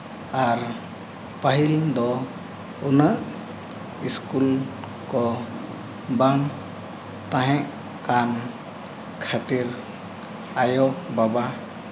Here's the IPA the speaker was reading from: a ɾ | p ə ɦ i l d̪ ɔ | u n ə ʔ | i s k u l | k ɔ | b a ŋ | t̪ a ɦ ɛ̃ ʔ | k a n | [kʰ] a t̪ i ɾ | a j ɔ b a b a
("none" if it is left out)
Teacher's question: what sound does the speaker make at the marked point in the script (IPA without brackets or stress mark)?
kʰ